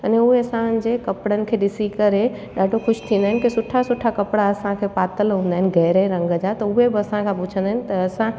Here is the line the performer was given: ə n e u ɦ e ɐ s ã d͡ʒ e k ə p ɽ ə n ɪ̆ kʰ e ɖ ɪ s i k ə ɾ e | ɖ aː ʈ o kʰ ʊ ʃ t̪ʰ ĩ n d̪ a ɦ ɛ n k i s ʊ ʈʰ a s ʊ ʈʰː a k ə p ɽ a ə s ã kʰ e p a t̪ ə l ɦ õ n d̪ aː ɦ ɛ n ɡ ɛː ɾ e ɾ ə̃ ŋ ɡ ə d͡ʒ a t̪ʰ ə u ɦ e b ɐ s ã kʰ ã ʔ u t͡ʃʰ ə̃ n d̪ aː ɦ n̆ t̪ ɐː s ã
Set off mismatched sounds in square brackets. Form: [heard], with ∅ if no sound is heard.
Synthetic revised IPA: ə n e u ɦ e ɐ s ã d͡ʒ e k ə p ɽ ə n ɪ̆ kʰ e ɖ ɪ s i k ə ɾ e | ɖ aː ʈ o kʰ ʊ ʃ t̪ʰ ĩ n d̪ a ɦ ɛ n k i s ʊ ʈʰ a s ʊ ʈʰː a k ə p ɽ a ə s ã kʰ e p a t̪ ə l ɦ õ n d̪ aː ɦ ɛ n ɡ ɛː ɾ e ɾ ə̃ ŋ ɡ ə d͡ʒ a [t̪] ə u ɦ e b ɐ s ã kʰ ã [p] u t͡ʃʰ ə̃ n d̪ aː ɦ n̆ t̪ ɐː s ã